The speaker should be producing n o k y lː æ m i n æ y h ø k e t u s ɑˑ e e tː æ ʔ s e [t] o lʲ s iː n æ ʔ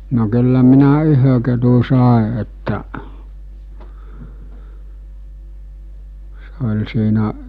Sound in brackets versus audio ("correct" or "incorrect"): incorrect